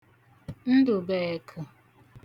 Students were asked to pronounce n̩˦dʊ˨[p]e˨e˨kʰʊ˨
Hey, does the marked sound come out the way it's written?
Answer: no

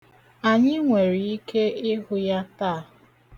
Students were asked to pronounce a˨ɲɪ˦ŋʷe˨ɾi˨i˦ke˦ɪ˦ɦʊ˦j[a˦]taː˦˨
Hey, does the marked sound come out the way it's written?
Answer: yes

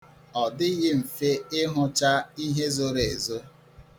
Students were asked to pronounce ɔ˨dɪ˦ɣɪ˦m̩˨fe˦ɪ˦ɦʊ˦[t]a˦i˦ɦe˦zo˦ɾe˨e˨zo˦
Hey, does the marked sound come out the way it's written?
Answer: no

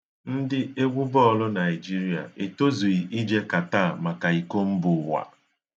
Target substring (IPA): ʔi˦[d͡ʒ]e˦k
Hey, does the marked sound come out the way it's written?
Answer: yes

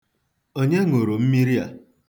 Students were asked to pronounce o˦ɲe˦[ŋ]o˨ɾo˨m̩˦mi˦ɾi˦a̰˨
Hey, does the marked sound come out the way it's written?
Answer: yes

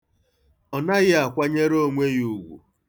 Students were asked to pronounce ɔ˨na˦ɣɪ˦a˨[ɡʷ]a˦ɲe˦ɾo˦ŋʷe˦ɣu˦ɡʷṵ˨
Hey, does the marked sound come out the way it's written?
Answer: no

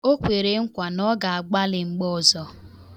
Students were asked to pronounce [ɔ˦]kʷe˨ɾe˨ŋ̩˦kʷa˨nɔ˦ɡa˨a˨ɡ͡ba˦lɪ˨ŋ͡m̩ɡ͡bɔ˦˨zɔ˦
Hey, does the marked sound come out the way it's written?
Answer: no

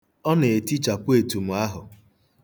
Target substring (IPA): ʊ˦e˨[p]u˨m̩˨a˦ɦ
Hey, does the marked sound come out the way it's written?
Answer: no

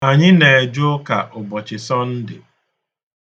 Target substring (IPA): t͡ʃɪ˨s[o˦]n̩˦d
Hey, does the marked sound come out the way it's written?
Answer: no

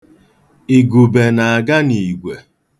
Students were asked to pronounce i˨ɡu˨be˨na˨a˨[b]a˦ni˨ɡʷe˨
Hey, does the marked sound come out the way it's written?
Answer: no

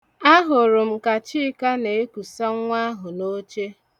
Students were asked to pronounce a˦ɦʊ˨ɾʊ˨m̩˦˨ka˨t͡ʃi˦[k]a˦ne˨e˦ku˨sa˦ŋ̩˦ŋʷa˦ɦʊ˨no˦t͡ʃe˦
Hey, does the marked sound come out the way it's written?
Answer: yes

